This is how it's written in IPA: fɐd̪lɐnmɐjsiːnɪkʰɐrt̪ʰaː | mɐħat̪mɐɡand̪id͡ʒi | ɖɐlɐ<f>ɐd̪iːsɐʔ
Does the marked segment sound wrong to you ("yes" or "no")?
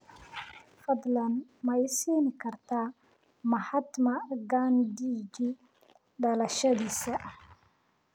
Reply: yes